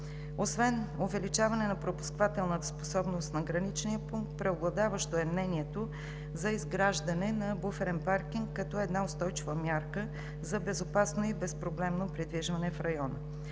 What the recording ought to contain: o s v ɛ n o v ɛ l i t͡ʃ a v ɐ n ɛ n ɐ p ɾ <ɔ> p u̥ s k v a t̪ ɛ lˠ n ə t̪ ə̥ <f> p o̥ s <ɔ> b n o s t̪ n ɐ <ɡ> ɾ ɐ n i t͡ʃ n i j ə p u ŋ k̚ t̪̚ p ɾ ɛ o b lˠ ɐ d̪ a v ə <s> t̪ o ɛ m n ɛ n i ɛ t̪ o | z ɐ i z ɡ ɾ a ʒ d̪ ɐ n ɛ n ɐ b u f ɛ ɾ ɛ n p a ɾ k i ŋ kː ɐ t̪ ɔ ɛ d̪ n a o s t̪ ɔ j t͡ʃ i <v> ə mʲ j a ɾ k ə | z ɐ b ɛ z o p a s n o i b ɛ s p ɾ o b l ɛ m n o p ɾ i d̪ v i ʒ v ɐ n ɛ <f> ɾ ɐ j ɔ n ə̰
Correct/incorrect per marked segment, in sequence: incorrect: o, incorrect: s, correct, correct, incorrect: ʃ, correct, correct

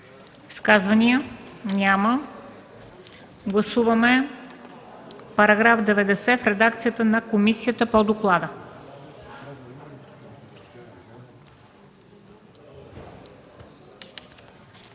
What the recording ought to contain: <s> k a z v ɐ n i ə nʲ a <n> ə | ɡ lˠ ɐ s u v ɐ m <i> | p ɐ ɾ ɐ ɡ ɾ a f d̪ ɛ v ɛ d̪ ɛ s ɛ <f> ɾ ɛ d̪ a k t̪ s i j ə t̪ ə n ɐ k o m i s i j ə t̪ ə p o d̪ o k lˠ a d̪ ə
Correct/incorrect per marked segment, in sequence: correct, incorrect: m, incorrect: ɛ, correct

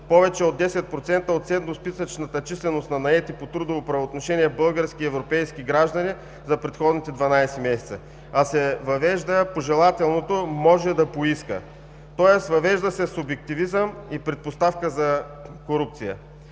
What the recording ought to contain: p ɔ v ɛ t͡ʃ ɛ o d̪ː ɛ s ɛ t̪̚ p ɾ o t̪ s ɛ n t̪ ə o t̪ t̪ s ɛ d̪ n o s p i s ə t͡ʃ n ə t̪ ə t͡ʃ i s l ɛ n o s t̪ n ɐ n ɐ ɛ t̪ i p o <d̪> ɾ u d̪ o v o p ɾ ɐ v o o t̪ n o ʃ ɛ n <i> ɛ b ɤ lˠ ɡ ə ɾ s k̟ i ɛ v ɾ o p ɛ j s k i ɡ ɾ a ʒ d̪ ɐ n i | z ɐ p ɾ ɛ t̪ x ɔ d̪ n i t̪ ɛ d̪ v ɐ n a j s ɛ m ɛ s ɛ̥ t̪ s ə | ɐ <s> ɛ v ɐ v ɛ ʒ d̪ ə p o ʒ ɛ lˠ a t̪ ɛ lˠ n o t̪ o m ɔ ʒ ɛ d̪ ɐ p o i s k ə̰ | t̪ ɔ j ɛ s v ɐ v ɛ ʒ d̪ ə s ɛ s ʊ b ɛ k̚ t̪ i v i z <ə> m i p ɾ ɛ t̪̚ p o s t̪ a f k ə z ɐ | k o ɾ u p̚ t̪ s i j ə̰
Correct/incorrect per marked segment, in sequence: incorrect: t̪, correct, correct, correct

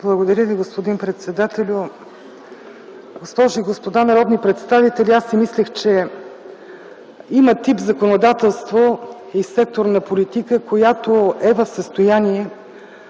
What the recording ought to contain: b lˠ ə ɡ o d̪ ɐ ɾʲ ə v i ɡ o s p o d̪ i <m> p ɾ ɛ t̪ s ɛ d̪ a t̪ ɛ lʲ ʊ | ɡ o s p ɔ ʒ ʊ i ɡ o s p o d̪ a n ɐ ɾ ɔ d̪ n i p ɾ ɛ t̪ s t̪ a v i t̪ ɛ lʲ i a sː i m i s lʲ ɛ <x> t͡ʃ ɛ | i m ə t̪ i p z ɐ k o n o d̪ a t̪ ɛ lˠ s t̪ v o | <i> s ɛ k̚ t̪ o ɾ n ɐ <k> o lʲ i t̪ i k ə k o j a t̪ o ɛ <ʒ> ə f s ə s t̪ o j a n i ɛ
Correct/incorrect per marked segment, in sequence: incorrect: n, correct, correct, incorrect: p, incorrect: v

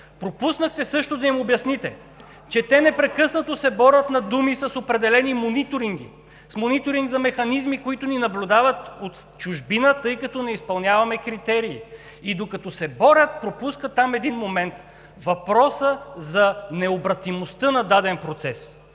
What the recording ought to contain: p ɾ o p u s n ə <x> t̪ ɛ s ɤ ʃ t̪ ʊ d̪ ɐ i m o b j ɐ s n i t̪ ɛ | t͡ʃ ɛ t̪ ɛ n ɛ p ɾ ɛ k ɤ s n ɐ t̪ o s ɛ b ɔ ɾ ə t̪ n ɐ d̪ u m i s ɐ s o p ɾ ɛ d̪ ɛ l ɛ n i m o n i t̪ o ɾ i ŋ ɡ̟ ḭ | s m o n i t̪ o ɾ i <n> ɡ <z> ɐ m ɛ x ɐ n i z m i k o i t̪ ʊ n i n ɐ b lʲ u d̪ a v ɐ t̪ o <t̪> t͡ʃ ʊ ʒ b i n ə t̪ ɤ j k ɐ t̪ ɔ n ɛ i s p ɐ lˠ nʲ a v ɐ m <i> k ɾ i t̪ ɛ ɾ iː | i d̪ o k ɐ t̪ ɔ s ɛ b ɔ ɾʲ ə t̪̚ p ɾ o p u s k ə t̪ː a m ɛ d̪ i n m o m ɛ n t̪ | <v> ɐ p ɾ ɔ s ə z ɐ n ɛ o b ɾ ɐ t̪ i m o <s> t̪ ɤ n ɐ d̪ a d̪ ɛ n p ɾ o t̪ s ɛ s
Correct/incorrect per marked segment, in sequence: correct, incorrect: ŋ, correct, correct, incorrect: ɛ, correct, correct

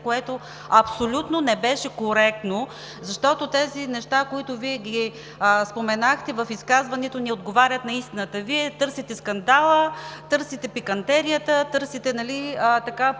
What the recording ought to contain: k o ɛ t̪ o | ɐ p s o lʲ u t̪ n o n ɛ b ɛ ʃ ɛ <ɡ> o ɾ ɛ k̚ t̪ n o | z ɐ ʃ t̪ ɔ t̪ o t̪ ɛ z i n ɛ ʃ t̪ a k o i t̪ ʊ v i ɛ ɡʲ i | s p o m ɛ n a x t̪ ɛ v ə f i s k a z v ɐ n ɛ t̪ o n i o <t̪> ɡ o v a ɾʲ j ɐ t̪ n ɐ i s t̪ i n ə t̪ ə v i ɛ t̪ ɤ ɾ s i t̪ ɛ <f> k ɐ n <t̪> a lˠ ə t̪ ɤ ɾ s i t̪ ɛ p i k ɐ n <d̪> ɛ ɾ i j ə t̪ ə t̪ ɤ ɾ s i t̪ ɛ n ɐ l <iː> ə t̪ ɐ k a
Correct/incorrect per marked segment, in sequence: incorrect: k, incorrect: d̪, incorrect: s, incorrect: d̪, incorrect: t̪, incorrect: i

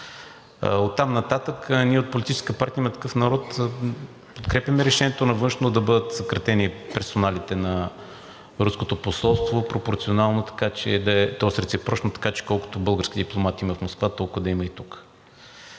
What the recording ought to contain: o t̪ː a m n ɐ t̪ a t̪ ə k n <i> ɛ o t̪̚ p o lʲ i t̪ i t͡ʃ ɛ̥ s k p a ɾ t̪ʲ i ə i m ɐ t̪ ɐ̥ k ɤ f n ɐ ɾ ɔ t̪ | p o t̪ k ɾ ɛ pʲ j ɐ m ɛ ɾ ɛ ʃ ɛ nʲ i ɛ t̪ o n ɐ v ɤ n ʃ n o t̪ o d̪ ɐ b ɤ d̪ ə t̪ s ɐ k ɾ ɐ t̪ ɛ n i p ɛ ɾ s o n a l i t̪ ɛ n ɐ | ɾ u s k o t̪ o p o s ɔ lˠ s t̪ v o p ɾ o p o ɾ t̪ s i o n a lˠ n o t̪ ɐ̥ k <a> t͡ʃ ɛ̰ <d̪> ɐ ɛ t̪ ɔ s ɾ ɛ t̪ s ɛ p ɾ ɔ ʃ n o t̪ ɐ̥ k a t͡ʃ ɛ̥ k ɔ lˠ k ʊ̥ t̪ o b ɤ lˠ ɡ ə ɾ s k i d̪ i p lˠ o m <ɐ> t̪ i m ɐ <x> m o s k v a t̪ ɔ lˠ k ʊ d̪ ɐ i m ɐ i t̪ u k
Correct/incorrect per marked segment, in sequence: correct, correct, correct, incorrect: a, incorrect: f

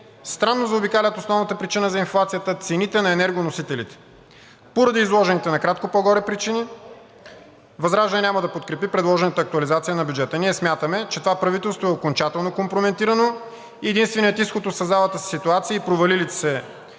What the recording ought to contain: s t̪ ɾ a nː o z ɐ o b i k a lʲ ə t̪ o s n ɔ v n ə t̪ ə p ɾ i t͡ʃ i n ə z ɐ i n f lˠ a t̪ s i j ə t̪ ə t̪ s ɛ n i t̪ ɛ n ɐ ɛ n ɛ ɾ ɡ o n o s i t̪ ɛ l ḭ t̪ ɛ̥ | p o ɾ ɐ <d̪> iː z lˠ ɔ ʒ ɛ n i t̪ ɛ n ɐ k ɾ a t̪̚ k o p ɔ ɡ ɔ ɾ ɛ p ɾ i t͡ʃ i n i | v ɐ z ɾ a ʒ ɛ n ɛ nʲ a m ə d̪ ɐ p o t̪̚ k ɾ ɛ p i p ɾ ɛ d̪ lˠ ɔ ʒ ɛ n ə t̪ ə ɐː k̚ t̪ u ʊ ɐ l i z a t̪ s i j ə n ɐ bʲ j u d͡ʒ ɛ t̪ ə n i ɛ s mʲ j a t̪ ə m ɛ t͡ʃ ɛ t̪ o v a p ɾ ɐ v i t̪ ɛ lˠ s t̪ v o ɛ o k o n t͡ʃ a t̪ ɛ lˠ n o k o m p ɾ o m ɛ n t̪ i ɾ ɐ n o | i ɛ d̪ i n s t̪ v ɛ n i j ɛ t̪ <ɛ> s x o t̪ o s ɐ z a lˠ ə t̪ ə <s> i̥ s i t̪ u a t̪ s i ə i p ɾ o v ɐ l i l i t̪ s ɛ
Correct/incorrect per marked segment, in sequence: correct, incorrect: i, correct

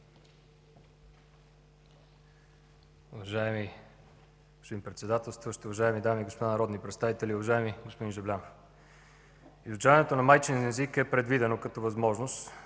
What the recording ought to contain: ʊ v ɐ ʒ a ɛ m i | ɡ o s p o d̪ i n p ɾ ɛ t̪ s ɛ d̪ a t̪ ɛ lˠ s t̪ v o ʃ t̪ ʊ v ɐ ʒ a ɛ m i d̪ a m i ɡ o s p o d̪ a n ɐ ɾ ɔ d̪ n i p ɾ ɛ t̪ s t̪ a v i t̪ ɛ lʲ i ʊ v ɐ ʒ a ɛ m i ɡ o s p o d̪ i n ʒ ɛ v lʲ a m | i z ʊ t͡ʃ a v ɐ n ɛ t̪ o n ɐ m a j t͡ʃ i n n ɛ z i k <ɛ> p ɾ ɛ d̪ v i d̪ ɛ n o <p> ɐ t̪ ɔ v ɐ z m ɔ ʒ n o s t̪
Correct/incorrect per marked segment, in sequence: correct, incorrect: k

